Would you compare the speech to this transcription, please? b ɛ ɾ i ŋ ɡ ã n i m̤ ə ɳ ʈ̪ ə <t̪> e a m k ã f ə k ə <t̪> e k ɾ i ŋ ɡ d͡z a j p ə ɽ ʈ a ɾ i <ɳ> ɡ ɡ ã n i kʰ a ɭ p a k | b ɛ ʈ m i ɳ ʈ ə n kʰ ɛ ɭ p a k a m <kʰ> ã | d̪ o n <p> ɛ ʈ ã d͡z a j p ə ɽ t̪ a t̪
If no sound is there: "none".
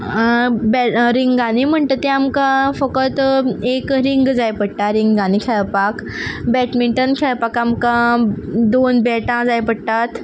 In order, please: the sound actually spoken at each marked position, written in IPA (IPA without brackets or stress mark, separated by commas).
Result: t̪, t̪, ŋ, k, b